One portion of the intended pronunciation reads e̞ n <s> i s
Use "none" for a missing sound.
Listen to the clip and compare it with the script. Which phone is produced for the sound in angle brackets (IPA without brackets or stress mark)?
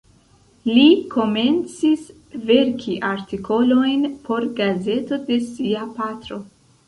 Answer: t͡s